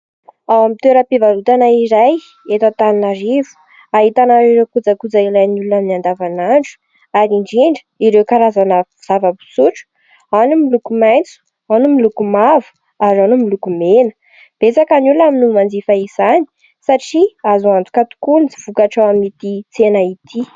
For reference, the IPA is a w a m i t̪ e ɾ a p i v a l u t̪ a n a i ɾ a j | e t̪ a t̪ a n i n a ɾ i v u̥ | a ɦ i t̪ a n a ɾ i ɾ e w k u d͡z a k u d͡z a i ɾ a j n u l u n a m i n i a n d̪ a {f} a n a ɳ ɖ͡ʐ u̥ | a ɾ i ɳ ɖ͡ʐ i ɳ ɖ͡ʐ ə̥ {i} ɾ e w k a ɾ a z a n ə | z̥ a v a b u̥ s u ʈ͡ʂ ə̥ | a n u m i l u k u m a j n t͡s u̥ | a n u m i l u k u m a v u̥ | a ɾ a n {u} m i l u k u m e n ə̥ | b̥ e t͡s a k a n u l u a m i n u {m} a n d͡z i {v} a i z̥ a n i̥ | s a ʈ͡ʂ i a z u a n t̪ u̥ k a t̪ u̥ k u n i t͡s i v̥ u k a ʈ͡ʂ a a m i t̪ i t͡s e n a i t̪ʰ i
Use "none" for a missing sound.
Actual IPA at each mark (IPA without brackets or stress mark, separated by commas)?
v, i, u, m, f